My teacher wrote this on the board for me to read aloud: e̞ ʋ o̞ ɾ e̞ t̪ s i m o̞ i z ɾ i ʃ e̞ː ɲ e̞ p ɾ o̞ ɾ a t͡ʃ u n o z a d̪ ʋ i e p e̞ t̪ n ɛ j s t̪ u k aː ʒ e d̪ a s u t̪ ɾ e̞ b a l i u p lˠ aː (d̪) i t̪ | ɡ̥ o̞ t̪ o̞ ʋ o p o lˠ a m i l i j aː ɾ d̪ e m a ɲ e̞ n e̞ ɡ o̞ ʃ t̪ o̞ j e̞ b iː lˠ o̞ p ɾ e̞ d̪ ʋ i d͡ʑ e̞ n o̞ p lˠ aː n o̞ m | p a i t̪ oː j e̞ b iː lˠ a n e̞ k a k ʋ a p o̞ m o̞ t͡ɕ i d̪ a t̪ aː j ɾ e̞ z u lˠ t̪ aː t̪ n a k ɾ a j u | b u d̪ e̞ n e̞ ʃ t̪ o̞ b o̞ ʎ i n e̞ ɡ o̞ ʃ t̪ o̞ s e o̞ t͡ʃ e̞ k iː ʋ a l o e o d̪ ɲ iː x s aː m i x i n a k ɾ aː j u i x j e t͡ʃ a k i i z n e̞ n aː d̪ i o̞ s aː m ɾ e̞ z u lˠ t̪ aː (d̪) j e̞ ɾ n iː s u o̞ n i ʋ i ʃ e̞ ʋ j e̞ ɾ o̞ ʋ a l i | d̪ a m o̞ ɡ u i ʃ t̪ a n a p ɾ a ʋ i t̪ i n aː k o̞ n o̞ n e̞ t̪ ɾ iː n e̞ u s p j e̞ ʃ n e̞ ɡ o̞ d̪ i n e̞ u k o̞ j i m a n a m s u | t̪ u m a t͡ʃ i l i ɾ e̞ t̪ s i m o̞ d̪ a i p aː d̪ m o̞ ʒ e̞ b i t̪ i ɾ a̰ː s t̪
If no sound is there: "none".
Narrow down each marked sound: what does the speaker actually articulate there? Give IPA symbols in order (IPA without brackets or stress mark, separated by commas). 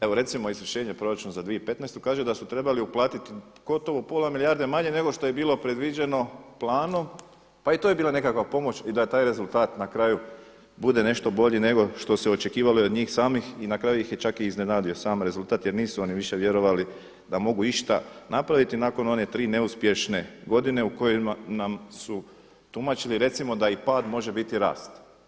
t̪, t̪